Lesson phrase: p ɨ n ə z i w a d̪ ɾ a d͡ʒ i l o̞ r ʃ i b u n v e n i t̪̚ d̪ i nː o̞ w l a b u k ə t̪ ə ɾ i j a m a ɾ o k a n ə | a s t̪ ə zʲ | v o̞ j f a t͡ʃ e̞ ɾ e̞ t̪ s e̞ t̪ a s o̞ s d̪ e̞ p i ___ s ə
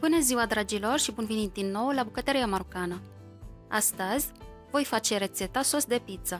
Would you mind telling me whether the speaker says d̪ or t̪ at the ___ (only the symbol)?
t̪